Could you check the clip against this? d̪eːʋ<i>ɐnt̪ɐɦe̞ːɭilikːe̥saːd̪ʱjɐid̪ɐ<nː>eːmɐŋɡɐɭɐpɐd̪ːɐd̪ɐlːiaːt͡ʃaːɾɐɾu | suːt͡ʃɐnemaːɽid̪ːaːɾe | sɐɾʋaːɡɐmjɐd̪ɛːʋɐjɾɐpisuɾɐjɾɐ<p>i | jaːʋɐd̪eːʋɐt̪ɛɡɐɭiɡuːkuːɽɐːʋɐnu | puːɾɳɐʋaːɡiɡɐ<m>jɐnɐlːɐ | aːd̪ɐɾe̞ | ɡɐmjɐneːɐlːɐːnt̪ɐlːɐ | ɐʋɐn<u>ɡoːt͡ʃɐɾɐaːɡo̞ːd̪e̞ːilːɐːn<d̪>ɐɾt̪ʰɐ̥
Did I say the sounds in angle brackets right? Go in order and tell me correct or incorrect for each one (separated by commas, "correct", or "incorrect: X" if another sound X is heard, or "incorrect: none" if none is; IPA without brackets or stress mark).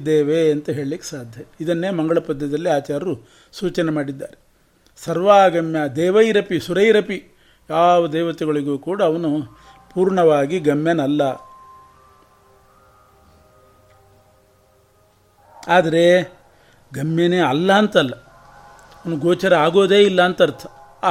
incorrect: e, correct, correct, correct, correct, incorrect: t̪